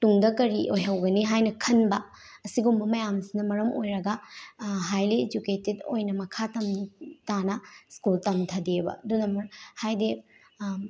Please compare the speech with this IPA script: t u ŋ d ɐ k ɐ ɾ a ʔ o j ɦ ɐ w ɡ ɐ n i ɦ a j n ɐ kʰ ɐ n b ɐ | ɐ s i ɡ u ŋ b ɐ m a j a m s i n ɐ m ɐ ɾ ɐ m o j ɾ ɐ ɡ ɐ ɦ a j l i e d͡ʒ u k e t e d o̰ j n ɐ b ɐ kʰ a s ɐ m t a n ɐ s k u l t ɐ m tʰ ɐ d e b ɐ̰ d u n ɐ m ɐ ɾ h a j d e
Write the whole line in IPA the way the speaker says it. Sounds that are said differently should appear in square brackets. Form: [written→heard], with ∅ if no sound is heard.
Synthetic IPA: t u ŋ d ɐ k ɐ ɾ [a→i] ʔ o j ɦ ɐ w ɡ ɐ n i ɦ a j n ɐ kʰ ɐ n b ɐ | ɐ s i ɡ u [ŋ→m] b ɐ m [a→ɐ] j a m s i n ɐ m ɐ ɾ ɐ m o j ɾ ɐ ɡ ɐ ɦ a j l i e d͡ʒ u k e t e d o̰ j n ɐ [b→m] ɐ kʰ a [s→t] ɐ m t a n ɐ s k u l t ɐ m tʰ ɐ d e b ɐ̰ d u n ɐ m ɐ ɾ h a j d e